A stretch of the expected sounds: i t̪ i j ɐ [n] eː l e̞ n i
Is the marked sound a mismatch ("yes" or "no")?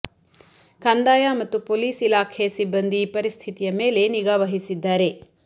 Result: yes